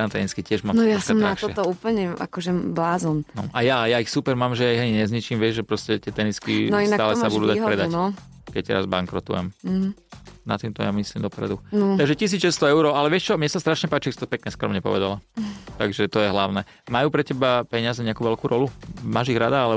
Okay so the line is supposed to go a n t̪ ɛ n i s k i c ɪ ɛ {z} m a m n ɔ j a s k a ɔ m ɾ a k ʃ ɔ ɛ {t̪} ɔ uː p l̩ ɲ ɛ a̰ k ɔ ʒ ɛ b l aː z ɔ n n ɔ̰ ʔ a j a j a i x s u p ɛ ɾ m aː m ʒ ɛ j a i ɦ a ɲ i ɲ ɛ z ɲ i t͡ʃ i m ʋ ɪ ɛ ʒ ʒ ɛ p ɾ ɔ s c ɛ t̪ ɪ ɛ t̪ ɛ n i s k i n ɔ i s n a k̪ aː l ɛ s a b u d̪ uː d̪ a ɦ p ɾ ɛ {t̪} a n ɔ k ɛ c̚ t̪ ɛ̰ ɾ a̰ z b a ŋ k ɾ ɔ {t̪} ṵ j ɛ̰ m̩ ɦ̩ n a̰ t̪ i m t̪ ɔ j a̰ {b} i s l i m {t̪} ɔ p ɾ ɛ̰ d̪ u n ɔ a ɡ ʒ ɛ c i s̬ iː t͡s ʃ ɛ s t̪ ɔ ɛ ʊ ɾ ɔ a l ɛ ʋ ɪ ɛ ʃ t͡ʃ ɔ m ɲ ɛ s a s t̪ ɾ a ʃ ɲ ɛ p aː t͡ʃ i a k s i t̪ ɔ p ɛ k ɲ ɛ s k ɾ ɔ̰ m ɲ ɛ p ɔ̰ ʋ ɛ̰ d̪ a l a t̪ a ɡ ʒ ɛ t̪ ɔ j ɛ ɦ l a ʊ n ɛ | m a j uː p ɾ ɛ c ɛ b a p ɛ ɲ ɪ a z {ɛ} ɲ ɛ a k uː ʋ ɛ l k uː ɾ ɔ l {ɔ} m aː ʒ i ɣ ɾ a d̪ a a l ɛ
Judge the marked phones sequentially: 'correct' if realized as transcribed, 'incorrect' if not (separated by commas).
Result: incorrect, correct, incorrect, correct, incorrect, incorrect, correct, incorrect